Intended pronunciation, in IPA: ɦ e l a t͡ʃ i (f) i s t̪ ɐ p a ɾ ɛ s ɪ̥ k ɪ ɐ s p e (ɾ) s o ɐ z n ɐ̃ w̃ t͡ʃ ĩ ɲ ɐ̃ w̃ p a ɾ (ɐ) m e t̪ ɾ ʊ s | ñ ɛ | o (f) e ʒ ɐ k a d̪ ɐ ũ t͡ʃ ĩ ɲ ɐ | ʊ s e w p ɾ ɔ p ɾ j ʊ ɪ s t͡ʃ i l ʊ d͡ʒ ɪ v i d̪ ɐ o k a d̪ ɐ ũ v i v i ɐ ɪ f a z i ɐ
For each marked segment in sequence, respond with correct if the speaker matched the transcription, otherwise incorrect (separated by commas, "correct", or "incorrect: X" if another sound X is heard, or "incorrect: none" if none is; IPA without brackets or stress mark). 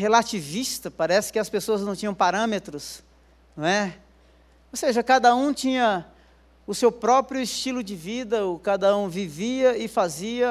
incorrect: v, incorrect: none, incorrect: ɐ̃, incorrect: s